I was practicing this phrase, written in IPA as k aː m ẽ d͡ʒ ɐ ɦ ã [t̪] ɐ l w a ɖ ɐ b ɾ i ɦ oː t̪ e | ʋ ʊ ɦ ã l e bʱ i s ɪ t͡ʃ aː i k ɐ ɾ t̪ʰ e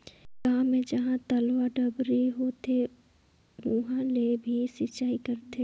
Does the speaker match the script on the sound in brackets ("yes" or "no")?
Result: yes